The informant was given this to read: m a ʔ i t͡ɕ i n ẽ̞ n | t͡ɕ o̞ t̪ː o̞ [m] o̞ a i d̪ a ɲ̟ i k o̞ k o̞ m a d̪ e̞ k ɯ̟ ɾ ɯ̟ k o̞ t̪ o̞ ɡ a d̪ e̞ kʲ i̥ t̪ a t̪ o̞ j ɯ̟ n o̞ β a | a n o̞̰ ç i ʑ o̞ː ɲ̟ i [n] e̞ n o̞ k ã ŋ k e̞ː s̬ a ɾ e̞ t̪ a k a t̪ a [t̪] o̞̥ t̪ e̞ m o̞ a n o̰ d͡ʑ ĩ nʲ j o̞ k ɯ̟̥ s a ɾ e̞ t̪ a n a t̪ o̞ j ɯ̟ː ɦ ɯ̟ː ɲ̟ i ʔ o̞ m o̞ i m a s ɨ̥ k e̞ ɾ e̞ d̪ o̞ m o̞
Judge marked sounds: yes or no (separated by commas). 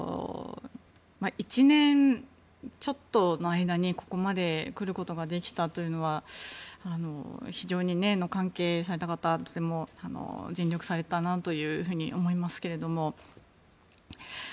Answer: no, yes, yes